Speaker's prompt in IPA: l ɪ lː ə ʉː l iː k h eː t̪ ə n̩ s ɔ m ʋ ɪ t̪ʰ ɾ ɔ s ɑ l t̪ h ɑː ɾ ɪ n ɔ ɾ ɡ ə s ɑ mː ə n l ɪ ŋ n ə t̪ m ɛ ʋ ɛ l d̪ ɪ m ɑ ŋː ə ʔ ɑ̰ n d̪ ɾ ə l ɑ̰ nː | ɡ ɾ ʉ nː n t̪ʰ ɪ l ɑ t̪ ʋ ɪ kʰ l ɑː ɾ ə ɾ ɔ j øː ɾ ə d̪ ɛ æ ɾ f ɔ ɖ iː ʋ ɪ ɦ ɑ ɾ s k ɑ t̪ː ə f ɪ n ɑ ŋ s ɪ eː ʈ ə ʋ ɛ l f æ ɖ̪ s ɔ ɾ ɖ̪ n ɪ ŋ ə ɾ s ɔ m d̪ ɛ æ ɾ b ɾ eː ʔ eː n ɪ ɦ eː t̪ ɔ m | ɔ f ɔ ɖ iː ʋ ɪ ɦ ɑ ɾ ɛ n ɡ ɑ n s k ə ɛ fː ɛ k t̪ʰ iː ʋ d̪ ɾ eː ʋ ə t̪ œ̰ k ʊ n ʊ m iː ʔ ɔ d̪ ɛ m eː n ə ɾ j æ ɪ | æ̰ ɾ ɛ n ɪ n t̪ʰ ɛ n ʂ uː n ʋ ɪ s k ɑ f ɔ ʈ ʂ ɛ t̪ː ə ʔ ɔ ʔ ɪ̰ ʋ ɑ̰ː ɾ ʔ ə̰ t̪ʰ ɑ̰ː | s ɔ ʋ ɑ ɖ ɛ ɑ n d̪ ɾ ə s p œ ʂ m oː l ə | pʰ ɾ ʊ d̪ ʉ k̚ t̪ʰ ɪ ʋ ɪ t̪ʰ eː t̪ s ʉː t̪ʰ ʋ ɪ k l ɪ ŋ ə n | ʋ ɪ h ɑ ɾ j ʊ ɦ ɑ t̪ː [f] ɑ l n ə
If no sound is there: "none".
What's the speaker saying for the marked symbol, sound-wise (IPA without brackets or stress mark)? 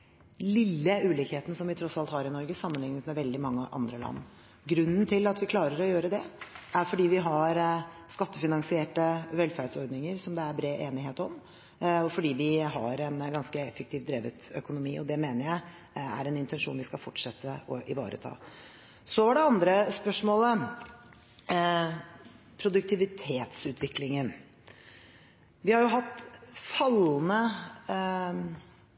f